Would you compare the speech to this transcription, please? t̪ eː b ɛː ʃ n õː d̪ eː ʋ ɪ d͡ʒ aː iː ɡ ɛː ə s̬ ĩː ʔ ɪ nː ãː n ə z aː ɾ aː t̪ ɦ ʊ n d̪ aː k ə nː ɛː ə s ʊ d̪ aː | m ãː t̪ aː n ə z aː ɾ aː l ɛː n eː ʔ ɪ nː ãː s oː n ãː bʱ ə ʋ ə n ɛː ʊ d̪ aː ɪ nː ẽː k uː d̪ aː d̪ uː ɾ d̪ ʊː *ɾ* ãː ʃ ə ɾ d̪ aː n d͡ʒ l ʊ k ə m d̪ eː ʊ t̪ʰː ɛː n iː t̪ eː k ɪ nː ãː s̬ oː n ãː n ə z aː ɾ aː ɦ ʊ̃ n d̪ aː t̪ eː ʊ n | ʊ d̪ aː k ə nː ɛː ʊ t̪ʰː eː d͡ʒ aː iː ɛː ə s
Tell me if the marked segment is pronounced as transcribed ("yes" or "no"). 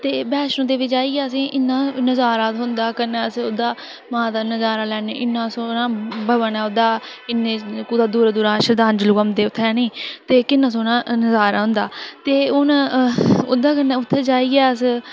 yes